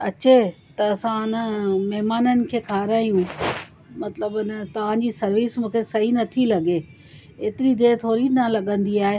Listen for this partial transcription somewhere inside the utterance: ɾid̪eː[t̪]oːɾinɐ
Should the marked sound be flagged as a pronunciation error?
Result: yes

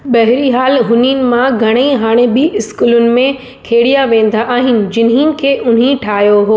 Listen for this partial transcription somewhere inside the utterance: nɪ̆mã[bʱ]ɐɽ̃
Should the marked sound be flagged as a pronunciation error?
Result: yes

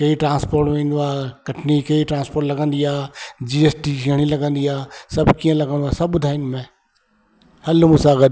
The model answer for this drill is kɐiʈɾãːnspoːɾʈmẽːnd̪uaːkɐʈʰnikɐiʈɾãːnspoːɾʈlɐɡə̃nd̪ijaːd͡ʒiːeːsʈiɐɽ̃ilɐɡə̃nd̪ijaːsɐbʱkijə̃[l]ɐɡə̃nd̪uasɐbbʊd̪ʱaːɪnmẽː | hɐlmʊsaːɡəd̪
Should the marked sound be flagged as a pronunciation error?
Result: no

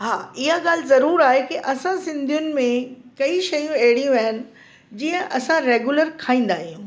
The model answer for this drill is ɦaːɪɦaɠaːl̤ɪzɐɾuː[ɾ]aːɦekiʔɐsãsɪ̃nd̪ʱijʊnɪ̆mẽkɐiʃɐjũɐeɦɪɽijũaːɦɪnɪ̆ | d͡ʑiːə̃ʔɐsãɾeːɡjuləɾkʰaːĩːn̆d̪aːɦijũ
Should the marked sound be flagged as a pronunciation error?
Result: no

